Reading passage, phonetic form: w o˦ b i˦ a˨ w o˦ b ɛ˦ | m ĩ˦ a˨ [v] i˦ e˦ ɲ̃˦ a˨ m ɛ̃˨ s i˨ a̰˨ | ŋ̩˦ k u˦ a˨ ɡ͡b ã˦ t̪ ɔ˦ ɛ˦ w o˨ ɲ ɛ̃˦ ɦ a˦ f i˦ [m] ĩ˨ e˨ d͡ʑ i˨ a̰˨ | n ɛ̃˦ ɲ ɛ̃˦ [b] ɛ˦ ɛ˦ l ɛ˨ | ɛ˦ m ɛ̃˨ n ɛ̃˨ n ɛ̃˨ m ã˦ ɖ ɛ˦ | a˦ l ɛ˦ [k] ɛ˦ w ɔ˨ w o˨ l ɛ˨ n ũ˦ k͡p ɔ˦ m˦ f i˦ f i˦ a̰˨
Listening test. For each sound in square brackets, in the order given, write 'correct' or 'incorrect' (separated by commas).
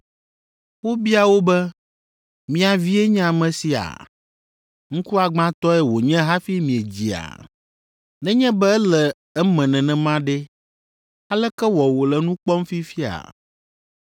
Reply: correct, correct, correct, correct